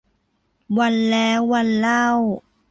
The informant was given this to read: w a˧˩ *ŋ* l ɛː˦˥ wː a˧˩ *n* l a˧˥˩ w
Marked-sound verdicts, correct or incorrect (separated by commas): incorrect, correct